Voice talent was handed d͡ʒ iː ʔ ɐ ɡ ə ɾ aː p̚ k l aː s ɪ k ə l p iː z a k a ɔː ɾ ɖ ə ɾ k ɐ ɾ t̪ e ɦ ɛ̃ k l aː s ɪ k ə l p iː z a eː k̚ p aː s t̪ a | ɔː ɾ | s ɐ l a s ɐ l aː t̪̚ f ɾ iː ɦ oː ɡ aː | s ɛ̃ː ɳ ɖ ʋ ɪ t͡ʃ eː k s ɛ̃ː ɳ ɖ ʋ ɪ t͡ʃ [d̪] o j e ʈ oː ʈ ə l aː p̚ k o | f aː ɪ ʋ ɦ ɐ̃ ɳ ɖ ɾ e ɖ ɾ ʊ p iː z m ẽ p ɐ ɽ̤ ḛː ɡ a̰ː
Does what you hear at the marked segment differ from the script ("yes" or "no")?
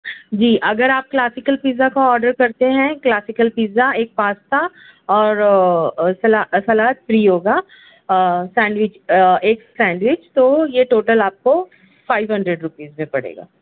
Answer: yes